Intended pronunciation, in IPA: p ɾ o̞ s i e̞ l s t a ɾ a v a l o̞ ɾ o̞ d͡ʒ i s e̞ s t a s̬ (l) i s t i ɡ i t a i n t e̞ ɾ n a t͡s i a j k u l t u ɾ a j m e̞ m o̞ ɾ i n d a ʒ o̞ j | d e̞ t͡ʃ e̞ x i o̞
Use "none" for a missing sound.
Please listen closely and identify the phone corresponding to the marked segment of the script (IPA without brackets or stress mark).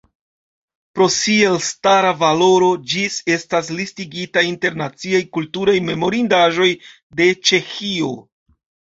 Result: l